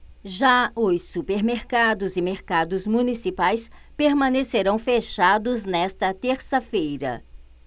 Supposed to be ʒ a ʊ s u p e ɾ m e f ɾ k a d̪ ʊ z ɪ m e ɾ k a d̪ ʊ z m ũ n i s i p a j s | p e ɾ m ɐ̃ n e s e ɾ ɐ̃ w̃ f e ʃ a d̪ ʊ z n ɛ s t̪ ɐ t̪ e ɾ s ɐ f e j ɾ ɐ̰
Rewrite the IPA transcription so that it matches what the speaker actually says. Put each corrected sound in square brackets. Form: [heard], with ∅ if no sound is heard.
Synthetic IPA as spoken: ʒ a ʊ s u p e ɾ m e [∅] ɾ k a d̪ ʊ z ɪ m e ɾ k a d̪ ʊ z m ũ n i s i p a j s | p e ɾ m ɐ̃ n e s e ɾ ɐ̃ w̃ f e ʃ a d̪ ʊ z n ɛ s t̪ ɐ t̪ e ɾ s ɐ f e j ɾ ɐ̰